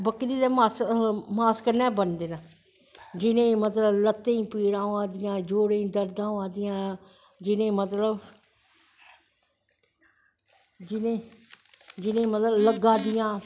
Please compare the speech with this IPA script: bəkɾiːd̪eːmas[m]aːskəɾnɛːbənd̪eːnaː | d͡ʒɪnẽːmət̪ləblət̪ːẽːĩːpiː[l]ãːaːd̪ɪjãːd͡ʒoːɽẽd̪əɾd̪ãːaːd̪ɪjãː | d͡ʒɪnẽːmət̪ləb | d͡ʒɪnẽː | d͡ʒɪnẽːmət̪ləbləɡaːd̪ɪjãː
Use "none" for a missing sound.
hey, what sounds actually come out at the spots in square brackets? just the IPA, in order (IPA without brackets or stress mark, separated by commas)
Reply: m, ɽ